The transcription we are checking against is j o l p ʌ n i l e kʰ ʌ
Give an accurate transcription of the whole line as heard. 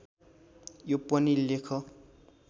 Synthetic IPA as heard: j o p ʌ n i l e kʰ ʌ